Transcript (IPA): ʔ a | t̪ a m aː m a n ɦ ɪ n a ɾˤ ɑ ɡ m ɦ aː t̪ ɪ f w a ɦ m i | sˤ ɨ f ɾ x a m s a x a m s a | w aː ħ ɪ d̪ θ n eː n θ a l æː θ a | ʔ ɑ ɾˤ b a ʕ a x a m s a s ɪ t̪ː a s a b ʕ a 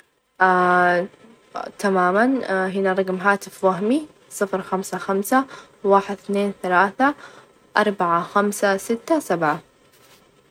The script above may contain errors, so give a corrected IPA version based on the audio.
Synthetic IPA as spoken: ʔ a | t̪ a m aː m a n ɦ ɪ n a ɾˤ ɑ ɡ m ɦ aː t̪ ɪ f w a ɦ m i | sˤ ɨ f ɾ x a m s a x a m s a | w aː ħ ɪ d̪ θ n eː n θ a l aː θ a | ʔ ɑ ɾˤ b a ʕ a x a m s a s ɪ t̪ː a s a b ʕ a